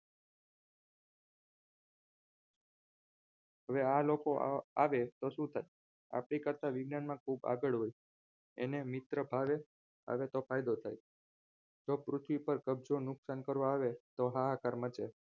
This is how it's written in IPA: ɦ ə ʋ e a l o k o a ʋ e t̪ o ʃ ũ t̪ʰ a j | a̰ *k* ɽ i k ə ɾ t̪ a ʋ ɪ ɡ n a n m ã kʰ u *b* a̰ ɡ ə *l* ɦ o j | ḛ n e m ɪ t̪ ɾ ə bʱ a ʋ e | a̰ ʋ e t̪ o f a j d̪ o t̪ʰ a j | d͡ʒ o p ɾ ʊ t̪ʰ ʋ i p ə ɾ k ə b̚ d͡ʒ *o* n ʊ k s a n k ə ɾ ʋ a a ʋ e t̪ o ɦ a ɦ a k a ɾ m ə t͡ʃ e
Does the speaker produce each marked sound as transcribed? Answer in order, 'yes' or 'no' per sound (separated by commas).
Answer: no, yes, no, yes